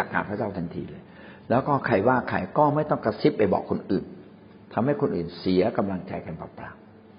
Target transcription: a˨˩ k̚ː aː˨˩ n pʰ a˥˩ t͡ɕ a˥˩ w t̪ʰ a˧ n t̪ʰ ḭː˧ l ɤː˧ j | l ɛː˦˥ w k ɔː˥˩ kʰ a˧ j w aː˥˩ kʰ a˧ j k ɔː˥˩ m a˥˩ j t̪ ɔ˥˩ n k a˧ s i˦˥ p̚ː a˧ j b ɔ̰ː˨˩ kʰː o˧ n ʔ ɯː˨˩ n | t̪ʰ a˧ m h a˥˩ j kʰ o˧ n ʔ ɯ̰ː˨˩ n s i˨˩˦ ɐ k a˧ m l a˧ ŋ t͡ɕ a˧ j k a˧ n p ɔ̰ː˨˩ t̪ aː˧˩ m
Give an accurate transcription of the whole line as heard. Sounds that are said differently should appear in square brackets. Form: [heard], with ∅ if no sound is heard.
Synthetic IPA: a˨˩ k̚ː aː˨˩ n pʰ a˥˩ t͡ɕ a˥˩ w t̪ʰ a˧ n t̪ʰ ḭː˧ l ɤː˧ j | l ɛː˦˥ w k ɔː˥˩ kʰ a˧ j w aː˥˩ kʰ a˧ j k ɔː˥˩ m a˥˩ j t̪ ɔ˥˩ [ŋ] k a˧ s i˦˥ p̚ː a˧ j b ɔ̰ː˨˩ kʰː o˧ n ʔ ɯː˨˩ n | t̪ʰ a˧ m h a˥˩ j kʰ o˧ n ʔ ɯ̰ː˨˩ n s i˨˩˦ ɐ k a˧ m l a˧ ŋ t͡ɕ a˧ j k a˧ n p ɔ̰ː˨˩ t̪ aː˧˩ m